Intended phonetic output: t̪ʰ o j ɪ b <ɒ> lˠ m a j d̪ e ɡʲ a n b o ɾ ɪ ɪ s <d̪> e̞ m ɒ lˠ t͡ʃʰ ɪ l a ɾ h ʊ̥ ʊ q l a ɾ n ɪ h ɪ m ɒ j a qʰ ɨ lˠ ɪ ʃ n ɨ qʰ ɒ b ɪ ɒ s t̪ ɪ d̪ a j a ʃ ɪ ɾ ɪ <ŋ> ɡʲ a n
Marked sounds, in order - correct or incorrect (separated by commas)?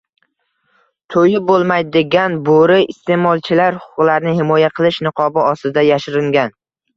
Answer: incorrect, incorrect, correct